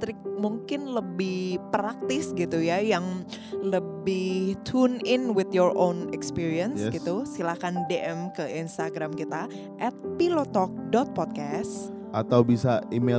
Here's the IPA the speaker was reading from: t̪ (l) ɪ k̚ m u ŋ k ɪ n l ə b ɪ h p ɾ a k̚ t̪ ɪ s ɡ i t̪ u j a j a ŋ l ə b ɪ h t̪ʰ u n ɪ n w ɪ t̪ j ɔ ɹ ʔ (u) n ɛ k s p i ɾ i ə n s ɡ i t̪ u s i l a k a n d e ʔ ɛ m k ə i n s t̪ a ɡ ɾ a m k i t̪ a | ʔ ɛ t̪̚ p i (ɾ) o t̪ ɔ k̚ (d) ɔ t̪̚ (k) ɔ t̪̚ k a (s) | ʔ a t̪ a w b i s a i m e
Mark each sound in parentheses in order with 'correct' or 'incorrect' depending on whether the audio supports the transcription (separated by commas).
incorrect, incorrect, incorrect, correct, incorrect, correct